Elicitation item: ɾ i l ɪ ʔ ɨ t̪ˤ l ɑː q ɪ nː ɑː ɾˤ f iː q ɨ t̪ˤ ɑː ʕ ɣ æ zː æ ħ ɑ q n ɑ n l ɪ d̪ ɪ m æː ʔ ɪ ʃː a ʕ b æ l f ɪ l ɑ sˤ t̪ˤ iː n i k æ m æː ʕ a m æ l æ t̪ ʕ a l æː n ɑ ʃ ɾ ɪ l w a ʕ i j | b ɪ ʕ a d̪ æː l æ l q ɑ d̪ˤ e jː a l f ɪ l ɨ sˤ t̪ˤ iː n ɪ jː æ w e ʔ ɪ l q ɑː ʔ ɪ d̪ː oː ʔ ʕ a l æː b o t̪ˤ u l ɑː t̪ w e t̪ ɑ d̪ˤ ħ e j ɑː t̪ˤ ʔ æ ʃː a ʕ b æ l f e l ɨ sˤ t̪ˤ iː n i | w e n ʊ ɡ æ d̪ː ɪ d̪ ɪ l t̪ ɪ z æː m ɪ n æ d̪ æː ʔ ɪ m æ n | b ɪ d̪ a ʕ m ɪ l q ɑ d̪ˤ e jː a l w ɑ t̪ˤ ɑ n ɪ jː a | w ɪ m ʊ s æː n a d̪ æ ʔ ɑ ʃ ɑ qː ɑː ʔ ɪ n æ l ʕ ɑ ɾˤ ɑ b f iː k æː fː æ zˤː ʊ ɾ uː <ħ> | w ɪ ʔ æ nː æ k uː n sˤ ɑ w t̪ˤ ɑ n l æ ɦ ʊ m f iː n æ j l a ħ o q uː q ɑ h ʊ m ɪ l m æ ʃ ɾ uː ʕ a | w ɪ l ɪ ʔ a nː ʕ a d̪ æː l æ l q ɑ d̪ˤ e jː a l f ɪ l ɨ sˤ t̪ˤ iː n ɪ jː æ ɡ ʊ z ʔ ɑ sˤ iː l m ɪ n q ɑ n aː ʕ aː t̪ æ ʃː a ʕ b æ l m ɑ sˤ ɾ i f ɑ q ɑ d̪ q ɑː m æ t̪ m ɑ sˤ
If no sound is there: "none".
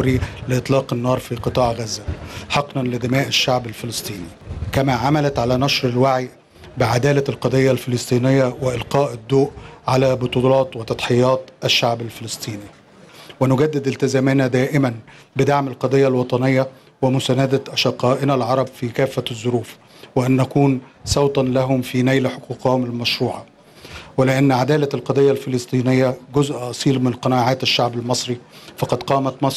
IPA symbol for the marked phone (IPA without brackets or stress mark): f